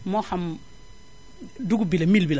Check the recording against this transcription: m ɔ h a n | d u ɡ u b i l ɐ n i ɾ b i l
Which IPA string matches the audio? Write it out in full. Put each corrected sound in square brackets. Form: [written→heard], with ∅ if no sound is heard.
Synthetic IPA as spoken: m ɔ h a [n→m] | d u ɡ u b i l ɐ [n→m] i [ɾ→l] b i l